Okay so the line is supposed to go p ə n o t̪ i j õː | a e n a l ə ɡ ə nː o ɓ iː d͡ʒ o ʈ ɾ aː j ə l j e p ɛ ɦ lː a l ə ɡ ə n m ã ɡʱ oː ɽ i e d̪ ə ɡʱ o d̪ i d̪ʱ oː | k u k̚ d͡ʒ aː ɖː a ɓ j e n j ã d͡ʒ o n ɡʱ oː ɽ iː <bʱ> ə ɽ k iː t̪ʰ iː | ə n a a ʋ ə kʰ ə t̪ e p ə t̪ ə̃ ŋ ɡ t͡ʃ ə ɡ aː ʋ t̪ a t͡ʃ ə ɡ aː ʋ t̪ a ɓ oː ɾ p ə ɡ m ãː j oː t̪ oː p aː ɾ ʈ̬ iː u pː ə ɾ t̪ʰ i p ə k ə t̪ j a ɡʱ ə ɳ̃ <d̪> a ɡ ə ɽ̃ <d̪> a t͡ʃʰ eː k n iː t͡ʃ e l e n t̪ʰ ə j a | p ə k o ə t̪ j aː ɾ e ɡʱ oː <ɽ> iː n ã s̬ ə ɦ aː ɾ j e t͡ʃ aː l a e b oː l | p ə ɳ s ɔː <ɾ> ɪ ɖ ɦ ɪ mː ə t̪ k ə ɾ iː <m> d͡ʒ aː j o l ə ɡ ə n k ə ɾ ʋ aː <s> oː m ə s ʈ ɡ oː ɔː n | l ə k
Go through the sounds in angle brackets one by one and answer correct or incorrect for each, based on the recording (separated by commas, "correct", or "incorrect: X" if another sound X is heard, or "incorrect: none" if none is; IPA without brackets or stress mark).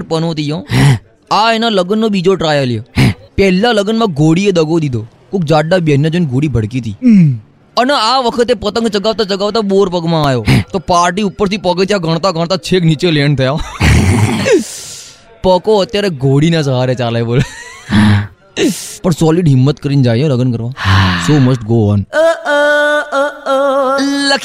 correct, incorrect: t̪, incorrect: t̪, correct, incorrect: l, incorrect: n, correct